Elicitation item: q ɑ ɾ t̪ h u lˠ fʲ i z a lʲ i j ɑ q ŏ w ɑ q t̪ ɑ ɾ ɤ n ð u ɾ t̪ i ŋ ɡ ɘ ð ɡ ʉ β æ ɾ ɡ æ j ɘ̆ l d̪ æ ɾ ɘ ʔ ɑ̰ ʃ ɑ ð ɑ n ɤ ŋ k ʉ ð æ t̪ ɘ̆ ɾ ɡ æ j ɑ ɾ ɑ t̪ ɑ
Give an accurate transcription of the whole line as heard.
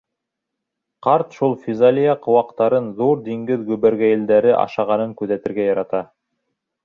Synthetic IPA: q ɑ ɾ t̪ ʃ u lˠ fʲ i z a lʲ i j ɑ q ŏ w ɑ q t̪ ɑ ɾ ɤ n ð u ɾ d̪ i ŋ ɡ ɘ ð ɡ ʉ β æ ɾ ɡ æ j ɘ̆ l d̪ æ ɾ ɘ ʔ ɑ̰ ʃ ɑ ʁ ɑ n ɤ ŋ k ʉ ð æ t̪ ɘ̆ ɾ ɡ æ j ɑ ɾ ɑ t̪ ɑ